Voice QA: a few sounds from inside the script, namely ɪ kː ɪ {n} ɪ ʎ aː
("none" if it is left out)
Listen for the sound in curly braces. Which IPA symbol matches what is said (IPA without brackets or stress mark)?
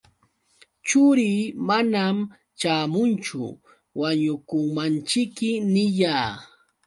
n